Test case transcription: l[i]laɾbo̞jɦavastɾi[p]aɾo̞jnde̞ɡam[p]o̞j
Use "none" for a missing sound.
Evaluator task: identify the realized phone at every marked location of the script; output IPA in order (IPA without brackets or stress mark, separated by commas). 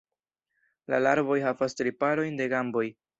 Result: a, p, b